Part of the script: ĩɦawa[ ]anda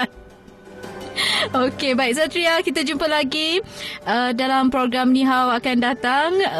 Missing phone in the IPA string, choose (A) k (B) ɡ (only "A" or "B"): A